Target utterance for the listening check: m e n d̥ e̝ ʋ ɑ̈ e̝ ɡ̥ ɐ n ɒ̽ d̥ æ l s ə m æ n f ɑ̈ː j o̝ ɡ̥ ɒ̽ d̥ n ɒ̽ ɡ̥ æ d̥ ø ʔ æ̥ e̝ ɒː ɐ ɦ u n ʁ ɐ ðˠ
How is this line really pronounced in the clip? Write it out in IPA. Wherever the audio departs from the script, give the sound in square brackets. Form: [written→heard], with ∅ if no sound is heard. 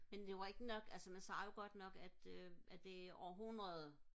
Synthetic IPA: m e n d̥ e̝ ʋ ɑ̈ e̝ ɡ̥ [ɐ→ə] n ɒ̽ [d̥→ɡ̥] æ l s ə m æ n [f→s] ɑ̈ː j o̝ ɡ̥ ɒ̽ d̥ n ɒ̽ ɡ̥ æ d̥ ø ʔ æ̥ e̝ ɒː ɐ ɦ u n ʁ ɐ ðˠ